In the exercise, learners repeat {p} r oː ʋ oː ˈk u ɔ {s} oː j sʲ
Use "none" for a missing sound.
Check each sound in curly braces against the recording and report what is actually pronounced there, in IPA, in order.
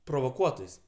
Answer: p, t

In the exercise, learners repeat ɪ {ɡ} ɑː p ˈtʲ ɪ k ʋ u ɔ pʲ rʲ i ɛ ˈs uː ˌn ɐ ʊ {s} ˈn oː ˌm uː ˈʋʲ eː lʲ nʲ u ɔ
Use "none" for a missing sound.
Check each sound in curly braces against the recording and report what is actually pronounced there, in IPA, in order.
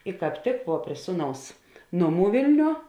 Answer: k, s

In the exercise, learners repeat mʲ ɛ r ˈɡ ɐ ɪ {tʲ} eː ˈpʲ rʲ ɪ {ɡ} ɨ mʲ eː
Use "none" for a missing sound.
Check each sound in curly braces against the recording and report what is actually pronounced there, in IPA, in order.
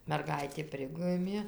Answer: tʲ, ɡ

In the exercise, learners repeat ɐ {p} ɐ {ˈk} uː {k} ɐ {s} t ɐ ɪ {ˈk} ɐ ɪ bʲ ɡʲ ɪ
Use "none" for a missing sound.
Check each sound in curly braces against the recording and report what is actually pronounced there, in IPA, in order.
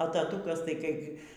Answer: t, t, k, s, k

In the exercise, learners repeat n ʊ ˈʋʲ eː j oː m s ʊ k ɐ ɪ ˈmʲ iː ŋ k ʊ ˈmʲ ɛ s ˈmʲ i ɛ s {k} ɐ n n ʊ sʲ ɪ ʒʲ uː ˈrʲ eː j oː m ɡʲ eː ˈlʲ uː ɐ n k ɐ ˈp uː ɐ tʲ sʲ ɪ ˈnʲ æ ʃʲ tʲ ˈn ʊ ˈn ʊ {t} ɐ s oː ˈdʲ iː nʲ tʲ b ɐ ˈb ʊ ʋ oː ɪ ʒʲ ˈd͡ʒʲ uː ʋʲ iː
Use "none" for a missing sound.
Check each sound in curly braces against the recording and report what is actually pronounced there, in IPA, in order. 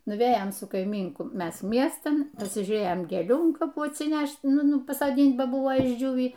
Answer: t, p

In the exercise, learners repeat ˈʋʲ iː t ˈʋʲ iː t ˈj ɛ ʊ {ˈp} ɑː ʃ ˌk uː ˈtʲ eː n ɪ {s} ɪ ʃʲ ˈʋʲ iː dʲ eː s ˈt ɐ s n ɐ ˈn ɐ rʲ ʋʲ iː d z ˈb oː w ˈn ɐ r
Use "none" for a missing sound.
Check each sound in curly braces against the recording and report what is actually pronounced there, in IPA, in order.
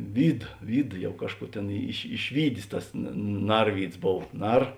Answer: k, ʃ

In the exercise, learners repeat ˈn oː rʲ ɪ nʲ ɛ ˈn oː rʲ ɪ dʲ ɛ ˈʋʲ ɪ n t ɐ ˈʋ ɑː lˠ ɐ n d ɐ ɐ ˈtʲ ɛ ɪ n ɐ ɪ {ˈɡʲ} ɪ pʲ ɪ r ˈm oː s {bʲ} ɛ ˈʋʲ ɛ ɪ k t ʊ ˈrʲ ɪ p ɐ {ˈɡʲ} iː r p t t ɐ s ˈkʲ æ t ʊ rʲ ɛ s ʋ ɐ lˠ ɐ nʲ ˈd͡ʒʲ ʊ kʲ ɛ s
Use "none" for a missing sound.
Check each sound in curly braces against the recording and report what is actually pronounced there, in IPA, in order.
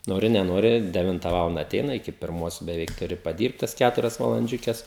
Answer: kʲ, bʲ, dʲ

